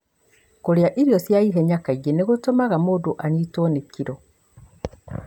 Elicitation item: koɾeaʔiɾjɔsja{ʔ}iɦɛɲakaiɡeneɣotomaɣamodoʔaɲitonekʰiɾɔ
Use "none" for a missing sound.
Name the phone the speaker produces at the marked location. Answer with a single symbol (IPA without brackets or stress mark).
none